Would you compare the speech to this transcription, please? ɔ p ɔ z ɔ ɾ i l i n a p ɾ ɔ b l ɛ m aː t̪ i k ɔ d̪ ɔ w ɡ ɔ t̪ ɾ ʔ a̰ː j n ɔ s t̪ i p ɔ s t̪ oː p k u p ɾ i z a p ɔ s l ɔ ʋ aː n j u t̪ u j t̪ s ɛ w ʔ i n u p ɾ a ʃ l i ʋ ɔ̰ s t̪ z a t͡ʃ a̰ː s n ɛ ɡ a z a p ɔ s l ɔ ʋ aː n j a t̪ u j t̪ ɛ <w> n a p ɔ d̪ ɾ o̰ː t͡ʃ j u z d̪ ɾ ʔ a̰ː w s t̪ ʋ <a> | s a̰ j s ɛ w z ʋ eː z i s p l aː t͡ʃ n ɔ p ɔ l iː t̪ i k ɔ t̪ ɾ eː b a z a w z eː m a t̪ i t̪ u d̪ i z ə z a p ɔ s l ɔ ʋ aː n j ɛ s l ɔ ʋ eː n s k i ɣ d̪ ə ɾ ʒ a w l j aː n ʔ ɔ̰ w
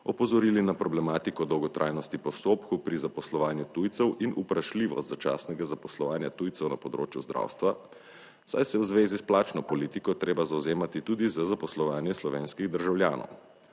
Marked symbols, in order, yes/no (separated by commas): yes, yes